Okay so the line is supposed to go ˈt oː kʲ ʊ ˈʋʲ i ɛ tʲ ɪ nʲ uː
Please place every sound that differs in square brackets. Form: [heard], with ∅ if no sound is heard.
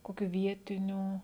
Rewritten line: [ˈk] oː kʲ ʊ ˈʋʲ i ɛ tʲ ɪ nʲ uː